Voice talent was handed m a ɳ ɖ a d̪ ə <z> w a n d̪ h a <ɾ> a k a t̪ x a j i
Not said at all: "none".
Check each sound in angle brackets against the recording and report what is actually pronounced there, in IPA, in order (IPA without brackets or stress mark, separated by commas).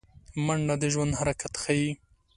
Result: ʒ, ɾ